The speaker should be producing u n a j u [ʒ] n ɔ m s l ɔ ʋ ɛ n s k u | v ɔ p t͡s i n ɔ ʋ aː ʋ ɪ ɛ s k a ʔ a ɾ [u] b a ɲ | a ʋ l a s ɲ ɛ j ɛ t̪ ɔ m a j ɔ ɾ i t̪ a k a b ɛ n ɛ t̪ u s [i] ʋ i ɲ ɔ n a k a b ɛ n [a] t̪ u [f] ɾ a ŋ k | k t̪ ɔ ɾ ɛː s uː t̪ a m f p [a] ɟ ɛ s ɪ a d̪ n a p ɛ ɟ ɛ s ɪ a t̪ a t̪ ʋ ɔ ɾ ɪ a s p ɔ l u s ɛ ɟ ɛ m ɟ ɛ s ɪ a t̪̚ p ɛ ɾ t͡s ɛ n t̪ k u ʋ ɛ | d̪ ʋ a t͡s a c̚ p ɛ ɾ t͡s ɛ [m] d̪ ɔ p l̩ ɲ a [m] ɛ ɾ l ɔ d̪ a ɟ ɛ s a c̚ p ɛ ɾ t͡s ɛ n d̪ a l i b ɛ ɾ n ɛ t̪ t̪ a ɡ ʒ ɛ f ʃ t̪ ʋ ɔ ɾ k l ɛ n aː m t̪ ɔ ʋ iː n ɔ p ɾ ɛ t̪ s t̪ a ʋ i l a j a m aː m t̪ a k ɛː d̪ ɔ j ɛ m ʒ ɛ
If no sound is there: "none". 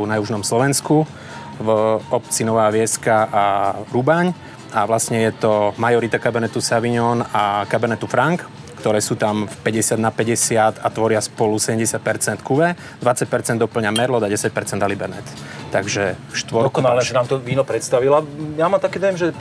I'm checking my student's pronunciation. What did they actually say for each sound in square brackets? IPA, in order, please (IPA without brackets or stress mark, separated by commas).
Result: ʒ, u, a, ɛ, f, ɛ, n, m